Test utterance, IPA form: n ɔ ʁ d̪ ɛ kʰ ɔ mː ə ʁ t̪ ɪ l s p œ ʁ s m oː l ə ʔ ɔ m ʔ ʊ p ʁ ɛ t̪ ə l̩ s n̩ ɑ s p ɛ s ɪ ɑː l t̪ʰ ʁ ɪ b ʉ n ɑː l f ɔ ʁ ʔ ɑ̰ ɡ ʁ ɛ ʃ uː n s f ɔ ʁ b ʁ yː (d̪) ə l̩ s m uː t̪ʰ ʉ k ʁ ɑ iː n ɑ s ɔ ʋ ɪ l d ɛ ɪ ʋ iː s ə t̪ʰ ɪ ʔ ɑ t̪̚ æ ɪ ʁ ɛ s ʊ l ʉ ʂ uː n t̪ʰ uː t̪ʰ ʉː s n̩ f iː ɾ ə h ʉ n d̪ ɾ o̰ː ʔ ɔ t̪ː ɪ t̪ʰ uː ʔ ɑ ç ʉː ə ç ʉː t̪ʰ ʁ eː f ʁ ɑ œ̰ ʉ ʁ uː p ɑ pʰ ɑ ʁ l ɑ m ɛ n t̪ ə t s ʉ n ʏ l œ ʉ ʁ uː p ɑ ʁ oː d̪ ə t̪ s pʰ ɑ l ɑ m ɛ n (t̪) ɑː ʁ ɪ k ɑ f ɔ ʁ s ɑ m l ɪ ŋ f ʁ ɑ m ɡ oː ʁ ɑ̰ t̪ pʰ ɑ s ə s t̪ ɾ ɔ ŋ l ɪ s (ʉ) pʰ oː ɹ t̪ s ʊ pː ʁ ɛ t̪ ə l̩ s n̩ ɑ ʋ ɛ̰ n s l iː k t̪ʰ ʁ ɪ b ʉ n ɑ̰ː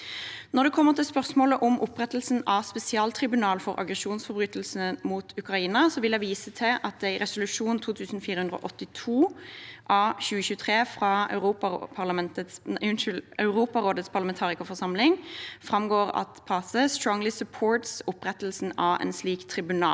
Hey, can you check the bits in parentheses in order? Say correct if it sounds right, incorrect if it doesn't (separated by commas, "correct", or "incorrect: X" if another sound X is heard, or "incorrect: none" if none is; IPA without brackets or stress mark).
incorrect: t̪, incorrect: t̪ʰ, correct